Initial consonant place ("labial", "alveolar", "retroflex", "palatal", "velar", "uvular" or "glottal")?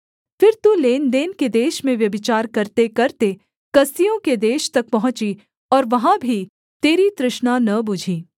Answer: labial